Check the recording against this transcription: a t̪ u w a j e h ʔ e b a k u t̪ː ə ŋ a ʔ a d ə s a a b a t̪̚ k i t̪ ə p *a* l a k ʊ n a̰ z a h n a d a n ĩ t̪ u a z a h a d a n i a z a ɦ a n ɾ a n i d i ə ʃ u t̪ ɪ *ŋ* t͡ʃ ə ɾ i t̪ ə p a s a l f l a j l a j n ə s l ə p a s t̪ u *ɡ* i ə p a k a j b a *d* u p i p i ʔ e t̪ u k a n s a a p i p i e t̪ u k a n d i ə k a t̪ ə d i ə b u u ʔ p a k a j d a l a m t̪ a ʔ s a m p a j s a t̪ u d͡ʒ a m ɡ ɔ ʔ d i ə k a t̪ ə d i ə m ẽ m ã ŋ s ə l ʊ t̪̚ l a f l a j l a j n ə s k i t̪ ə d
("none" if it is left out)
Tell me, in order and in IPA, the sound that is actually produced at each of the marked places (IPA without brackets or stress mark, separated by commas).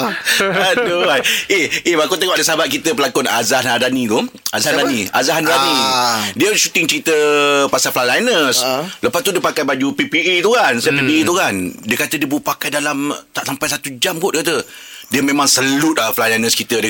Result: ə, ŋ, d, d͡ʒ